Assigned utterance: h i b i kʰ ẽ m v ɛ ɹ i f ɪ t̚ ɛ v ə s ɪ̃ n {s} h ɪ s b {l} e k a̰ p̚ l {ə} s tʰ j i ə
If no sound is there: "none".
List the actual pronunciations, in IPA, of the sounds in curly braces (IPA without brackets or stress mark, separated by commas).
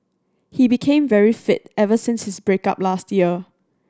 s, ɹ, a